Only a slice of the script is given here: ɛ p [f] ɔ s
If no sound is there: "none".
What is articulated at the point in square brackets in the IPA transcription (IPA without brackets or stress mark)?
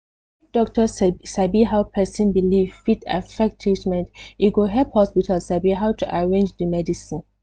h